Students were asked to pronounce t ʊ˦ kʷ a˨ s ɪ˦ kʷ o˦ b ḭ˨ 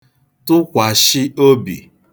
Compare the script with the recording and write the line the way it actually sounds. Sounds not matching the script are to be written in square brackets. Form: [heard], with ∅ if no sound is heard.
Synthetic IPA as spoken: t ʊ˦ kʷ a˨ [ʃ] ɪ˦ [∅] o˦ b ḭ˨